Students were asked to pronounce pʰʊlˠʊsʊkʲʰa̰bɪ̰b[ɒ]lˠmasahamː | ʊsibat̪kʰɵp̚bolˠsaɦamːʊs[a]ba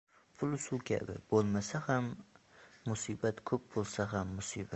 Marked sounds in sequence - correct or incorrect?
incorrect: o, incorrect: i

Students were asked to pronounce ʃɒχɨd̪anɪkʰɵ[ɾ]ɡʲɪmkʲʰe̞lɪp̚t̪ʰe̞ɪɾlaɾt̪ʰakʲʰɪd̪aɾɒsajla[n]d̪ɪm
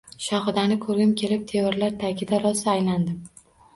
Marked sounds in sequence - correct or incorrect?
correct, correct

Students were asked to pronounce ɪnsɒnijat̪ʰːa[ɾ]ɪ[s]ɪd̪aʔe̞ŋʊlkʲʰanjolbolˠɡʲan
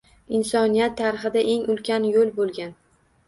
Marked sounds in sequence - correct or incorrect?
correct, incorrect: χ

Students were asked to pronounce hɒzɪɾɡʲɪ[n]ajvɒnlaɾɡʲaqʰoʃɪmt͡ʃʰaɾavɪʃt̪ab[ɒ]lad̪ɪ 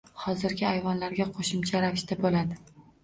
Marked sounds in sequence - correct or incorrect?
incorrect: none, incorrect: o

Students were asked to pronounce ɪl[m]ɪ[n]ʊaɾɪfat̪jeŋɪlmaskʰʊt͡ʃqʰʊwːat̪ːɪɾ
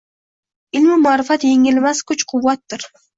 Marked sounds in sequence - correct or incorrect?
correct, incorrect: m

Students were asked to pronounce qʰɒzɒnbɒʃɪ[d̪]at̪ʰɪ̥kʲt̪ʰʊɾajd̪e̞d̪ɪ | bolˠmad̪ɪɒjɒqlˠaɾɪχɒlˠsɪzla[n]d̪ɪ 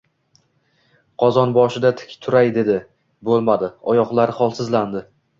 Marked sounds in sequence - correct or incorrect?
correct, correct

